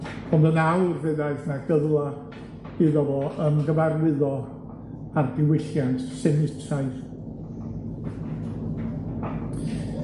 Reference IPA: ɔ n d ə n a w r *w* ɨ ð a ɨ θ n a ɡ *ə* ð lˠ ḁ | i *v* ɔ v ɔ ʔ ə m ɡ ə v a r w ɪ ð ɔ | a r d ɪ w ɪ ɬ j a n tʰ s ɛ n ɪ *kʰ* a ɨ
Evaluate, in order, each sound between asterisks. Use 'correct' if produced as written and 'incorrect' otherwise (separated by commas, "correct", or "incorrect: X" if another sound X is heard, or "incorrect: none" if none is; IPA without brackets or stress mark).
incorrect: v, correct, incorrect: ð, incorrect: tʰ